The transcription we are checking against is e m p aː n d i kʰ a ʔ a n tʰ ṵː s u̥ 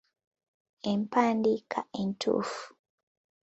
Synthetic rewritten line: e m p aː n d i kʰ a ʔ e n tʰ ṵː f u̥